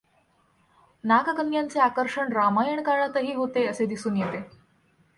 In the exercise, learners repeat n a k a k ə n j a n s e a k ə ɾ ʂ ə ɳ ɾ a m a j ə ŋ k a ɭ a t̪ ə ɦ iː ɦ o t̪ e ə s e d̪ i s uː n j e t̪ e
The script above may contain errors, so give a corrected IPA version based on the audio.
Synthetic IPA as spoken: n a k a k ə n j a n t͡s e a k ə ɾ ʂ ə ɳ ɾ a m a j ə ɳ k a ɭ a t̪ ə ɦ iː ɦ o t̪ e ə s e d̪ i s uː n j e t̪ e